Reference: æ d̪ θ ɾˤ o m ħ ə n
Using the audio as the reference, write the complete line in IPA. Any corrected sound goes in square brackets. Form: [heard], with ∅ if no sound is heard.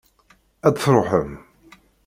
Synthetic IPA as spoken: æ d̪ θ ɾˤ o [∅] ħ ə [m]